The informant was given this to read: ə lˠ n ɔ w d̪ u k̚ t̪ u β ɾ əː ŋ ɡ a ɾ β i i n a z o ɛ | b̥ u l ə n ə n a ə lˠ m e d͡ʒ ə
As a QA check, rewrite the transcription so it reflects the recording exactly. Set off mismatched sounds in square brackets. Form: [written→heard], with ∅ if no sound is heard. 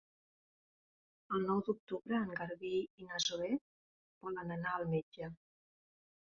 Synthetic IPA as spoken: ə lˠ n ɔ w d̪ u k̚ t̪ u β ɾ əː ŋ ɡ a ɾ β i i n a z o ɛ | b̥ [u→ɔ] l ə n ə n a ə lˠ m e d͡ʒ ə